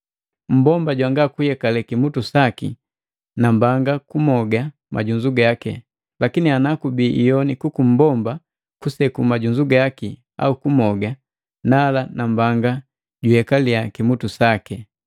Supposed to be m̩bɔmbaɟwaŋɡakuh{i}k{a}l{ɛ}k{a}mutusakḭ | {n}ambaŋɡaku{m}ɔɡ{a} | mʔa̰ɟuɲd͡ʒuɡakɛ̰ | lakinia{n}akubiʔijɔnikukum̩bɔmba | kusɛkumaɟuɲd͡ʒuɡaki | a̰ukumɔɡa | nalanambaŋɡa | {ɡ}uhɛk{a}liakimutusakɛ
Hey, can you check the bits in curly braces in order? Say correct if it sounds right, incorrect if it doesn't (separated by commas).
incorrect, correct, correct, incorrect, correct, correct, correct, correct, incorrect, correct